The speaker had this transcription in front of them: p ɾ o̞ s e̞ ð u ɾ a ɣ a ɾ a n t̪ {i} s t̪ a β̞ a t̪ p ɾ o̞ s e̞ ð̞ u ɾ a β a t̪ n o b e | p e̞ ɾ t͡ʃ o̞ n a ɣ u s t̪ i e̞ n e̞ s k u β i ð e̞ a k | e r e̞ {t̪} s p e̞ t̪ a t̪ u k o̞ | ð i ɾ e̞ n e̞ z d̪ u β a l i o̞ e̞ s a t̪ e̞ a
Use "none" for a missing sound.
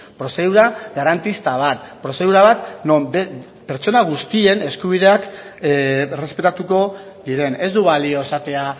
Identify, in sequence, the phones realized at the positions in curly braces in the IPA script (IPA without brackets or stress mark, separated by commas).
i, none